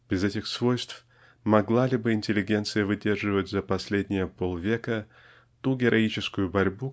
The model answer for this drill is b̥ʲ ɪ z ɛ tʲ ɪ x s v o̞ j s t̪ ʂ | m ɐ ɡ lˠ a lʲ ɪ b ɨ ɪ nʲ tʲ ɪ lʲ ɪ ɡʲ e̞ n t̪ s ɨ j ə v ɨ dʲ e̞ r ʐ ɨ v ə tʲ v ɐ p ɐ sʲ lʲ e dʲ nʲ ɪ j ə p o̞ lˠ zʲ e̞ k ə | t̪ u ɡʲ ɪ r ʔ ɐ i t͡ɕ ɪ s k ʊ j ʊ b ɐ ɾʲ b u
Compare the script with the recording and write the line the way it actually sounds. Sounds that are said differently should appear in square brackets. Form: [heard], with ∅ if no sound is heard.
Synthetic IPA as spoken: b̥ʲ ɪ z ɛ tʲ ɪ x s v o̞ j s t̪ [f] | m ɐ ɡ lˠ a lʲ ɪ b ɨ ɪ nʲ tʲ ɪ lʲ ɪ ɡʲ e̞ n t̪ s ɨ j ə v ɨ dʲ e̞ r ʐ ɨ v ə tʲ [z] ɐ p ɐ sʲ lʲ e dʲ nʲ ɪ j ə p o̞ lˠ [vʲ] e̞ k ə | t̪ u ɡʲ ɪ [ɾ] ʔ ɐ i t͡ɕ ɪ s k ʊ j ʊ b ɐ ɾʲ b u